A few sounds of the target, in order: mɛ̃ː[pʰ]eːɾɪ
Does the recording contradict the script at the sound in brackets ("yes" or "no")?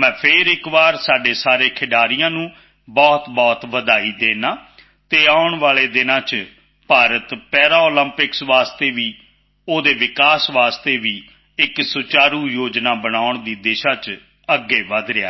no